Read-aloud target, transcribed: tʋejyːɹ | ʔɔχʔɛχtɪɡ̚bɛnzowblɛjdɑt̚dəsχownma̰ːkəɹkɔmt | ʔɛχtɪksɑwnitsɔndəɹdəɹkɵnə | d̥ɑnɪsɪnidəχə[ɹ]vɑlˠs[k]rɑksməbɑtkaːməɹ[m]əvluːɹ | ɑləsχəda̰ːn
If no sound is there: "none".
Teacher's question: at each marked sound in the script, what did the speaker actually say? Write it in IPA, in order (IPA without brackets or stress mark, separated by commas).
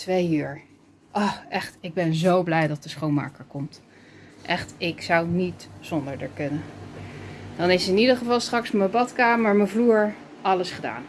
none, t, m